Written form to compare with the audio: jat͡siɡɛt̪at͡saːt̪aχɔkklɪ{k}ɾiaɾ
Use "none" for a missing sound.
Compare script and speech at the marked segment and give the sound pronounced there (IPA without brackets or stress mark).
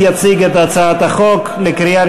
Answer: k